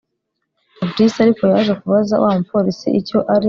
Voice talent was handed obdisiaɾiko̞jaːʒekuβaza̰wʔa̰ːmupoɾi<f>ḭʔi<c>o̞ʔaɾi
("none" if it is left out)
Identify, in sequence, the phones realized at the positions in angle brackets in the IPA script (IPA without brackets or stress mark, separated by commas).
s, c